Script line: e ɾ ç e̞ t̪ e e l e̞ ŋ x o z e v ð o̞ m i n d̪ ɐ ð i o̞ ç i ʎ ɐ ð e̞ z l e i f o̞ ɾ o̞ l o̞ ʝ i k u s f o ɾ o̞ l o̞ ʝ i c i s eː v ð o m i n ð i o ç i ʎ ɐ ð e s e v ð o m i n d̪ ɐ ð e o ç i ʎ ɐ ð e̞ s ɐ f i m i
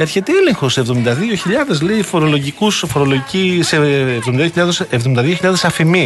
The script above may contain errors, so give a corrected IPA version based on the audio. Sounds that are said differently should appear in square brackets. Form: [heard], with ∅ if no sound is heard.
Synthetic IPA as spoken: e ɾ ç e̞ t̪ e e l e̞ ŋ x o [s] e v ð o̞ m i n d̪ ɐ ð i o̞ ç i ʎ ɐ ð e̞ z l e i f o̞ ɾ o̞ l o̞ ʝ i k u s f o ɾ o̞ l o̞ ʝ i c i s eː v ð o m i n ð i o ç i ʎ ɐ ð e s e v ð o m i n d̪ ɐ ð [i] o ç i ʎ ɐ ð e̞ s ɐ f i m i